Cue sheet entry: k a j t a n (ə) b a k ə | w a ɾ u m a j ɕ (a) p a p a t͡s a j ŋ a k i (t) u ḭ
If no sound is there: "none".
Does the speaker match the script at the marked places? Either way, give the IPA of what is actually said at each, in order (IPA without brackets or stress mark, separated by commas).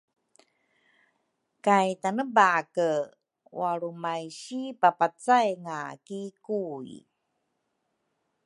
ə, i, k